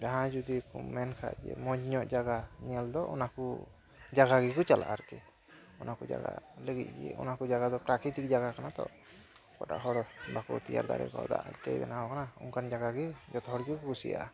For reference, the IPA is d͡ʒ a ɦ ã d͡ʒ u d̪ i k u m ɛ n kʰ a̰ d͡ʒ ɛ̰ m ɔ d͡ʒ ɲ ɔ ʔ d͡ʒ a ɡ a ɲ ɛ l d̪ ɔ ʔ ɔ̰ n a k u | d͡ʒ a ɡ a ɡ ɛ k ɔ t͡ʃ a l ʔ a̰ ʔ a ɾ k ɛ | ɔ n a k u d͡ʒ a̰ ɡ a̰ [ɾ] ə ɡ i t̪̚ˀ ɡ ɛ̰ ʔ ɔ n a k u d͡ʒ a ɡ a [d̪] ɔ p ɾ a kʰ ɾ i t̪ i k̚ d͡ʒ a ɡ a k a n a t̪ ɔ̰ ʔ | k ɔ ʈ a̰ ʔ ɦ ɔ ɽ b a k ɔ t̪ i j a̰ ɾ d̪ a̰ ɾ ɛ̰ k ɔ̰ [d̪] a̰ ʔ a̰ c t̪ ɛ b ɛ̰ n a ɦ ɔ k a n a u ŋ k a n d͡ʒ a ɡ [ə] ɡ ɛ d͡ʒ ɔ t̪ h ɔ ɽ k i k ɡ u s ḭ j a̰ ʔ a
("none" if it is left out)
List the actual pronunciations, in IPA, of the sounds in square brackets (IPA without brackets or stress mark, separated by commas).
l, d̪, d̪, a